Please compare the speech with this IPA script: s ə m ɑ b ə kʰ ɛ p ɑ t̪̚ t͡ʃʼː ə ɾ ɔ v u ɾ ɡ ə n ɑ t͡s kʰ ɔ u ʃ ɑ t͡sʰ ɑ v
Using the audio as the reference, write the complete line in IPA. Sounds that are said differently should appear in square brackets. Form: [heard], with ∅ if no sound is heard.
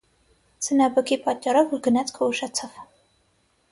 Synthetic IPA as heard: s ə [n] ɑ b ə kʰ [i] p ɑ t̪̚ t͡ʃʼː [ɑ] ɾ ɔ v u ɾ ɡ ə n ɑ t͡s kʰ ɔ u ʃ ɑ t͡sʰ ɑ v